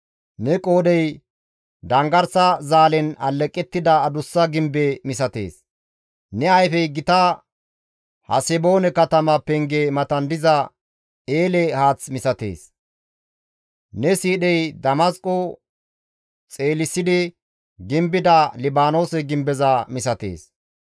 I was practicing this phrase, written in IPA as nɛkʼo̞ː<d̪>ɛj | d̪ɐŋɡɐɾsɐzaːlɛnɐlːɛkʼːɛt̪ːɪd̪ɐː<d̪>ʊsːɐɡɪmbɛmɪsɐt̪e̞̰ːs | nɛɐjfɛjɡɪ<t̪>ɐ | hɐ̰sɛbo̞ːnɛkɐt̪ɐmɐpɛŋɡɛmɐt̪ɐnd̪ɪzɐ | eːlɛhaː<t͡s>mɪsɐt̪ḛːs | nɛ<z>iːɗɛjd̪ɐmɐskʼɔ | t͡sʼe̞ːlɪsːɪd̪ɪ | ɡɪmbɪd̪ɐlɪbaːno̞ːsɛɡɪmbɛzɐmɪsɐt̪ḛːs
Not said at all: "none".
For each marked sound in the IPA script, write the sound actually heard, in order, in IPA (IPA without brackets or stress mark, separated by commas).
d̪, d̪, t̪, t͡s, s